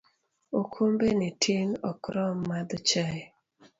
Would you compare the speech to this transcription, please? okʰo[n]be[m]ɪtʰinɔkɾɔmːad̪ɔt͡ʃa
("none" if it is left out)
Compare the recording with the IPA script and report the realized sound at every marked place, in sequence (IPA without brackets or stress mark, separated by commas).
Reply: m, n